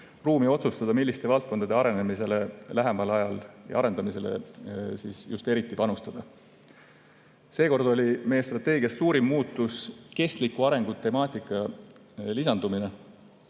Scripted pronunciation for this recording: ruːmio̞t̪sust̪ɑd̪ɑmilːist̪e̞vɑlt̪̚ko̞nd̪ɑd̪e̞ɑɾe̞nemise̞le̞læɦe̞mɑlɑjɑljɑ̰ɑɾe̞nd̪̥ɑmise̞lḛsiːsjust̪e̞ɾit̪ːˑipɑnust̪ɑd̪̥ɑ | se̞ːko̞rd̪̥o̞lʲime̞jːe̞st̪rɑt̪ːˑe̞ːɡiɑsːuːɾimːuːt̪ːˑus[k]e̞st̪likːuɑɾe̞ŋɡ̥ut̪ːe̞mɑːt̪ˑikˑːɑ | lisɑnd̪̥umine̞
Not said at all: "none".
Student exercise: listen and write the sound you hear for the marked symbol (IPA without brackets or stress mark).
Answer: k